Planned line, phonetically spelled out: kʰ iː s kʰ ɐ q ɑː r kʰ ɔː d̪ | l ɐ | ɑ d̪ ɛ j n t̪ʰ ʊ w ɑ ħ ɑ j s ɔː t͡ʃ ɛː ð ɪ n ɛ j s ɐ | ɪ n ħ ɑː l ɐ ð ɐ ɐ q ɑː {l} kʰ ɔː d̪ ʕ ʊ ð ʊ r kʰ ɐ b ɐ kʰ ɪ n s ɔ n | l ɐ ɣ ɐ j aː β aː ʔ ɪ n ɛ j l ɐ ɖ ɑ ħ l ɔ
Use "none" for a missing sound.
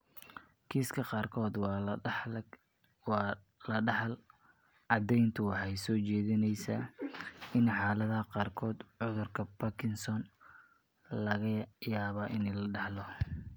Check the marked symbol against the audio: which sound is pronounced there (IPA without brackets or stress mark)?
r